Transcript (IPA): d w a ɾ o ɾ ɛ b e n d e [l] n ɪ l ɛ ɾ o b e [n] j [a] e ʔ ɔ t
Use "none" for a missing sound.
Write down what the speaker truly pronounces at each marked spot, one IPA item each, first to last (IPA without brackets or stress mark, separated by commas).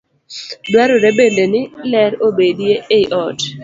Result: none, d, e